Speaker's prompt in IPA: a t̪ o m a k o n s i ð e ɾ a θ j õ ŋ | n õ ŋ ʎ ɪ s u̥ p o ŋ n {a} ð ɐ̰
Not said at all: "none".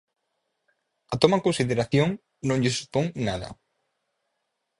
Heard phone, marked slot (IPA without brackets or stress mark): a